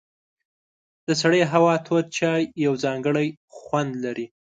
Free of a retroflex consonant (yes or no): no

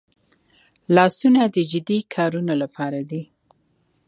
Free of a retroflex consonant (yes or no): yes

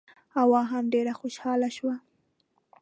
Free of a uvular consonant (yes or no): yes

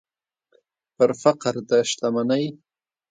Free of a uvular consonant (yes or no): no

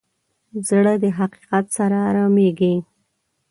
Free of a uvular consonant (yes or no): no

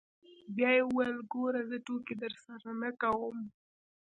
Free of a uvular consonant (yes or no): yes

